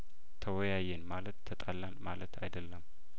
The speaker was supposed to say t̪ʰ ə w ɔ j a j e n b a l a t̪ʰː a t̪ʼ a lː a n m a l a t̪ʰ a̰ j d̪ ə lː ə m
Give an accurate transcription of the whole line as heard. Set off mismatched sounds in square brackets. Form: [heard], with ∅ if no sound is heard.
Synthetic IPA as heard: t̪ʰ ə w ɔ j a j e n [m] a l [ə] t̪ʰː [ə] t̪ʼ a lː a n m a l [ə] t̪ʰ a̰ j d̪ ə lː ə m